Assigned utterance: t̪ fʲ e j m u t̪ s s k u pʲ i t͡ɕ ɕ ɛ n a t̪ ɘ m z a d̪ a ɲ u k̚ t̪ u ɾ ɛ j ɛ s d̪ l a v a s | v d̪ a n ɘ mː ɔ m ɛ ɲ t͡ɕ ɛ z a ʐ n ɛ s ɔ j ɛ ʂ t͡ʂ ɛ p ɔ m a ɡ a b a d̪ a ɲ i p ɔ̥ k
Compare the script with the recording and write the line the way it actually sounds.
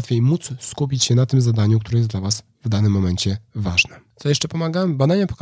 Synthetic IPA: t̪ fʲ e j m u t̪ s s k u pʲ i t͡ɕ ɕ ɛ n a t̪ ɘ m z a d̪ a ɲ u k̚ t̪ u ɾ ɛ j ɛ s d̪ l a v a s | v d̪ a n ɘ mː ɔ m ɛ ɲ t͡ɕ ɛ v a ʐ n ɛ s ɔ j ɛ ʂ t͡ʂ ɛ p ɔ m a ɡ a b a d̪ a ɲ a p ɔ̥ k